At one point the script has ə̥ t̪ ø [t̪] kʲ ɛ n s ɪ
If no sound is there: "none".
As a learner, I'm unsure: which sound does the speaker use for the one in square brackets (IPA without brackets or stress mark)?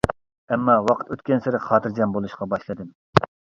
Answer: t̪